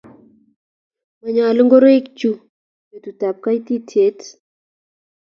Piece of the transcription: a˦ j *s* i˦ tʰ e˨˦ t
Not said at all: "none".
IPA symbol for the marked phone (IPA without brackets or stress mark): t